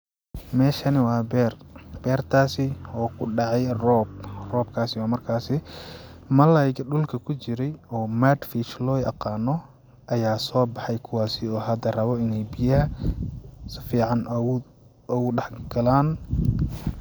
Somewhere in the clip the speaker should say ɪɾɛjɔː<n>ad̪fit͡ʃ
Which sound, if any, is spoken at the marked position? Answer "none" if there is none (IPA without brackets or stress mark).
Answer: m